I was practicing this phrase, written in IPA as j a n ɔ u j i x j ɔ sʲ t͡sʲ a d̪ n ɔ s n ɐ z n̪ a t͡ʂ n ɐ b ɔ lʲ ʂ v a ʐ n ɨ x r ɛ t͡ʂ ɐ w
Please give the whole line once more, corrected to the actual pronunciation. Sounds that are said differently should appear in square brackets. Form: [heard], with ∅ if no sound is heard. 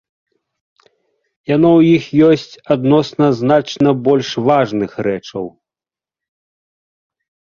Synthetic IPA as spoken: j a n ɔ [w] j i x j ɔ sʲ t͡sʲ a d̪ n ɔ s n ɐ z n̪ a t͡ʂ n ɐ b ɔ lʲ ʂ v a ʐ n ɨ x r ɛ t͡ʂ ɐ w